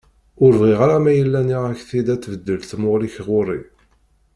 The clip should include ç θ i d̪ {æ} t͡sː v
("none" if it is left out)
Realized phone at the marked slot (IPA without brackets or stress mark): æ